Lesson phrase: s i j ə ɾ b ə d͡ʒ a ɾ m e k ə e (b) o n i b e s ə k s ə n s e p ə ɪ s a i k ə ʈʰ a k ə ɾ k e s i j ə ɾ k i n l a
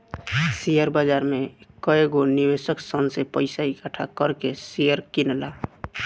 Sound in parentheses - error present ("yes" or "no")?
yes